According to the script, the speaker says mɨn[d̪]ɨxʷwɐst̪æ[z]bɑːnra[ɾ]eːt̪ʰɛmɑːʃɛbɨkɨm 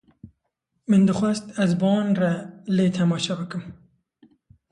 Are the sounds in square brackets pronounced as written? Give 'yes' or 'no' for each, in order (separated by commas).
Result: yes, yes, no